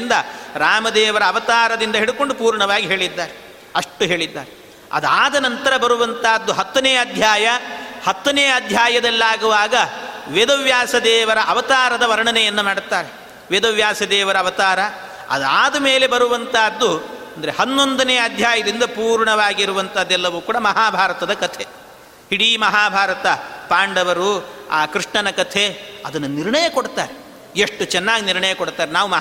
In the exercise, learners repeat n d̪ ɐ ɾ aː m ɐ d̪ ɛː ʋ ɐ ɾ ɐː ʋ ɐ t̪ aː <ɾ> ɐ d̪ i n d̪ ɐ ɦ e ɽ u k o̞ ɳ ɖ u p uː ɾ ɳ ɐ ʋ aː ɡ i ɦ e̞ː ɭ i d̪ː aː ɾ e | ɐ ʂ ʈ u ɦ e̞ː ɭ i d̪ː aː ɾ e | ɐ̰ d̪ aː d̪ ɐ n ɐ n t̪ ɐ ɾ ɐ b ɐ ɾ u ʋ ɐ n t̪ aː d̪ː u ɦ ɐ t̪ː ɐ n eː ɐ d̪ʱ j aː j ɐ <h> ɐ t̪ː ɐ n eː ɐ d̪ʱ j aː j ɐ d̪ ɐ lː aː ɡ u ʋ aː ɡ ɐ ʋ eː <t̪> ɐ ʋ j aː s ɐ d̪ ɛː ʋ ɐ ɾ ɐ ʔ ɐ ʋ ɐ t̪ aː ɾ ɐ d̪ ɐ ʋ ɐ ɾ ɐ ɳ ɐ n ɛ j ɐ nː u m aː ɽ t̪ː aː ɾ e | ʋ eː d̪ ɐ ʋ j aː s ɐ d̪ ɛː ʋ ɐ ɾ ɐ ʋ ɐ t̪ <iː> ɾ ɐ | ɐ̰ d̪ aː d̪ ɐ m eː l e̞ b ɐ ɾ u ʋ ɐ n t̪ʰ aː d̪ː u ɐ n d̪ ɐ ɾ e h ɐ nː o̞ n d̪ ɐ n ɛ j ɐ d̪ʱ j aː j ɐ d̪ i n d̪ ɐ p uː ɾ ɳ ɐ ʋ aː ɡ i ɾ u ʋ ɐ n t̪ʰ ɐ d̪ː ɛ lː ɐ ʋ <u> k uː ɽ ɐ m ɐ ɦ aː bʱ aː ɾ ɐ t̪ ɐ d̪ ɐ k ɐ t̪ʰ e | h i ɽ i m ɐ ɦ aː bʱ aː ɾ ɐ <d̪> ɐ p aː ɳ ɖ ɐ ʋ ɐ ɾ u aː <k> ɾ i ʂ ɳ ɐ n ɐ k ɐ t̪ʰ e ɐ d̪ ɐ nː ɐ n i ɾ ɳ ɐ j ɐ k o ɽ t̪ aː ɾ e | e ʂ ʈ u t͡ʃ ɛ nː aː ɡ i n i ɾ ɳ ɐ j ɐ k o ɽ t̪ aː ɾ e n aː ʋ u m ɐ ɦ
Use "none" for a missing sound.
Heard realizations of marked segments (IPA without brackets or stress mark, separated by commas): ɾ, h, d̪, aː, uː, t̪, k